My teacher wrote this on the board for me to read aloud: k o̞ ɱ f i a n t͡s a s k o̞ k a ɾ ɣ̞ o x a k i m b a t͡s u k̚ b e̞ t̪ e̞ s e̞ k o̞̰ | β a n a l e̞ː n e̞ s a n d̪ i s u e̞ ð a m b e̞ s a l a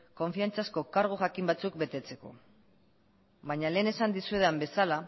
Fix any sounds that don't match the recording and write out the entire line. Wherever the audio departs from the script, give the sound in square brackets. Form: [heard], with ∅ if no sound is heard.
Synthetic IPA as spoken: k o̞ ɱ f i a n t͡s a s k o̞ k a ɾ ɣ̞ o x a k i m b a t͡s u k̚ b e̞ t̪ e̞ [t͡s] e̞ k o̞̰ | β a [ɲ] a l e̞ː n e̞ s a n d̪ i s u e̞ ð a m b e̞ s a l a